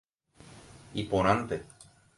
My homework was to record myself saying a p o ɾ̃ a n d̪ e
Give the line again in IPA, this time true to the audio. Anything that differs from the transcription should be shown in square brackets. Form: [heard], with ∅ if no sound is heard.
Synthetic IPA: [i] p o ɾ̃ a n [t̪] e